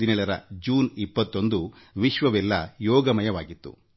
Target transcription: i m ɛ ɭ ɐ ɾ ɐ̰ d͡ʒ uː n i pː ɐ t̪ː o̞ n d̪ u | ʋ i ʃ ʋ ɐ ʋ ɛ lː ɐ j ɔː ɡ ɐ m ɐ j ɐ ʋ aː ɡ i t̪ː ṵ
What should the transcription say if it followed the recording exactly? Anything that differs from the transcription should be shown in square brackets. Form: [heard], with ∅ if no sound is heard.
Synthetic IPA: i [n] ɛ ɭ ɐ ɾ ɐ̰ d͡ʒ uː n i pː ɐ t̪ː o̞ n d̪ u | ʋ i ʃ ʋ ɐ ʋ ɛ lː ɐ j ɔː ɡ ɐ m ɐ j ɐ ʋ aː ɡ i t̪ː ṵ